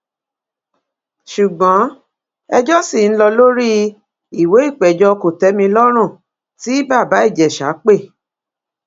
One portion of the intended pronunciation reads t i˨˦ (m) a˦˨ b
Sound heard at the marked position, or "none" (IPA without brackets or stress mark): b